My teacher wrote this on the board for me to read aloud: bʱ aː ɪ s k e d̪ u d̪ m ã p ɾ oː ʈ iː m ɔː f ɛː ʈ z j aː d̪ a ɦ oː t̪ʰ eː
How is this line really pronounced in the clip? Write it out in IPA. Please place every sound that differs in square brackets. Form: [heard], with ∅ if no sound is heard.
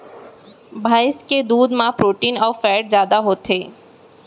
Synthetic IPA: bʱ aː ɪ s k e d̪ [uː] d̪ m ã p ɾ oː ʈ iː [n] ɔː f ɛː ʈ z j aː d̪ a ɦ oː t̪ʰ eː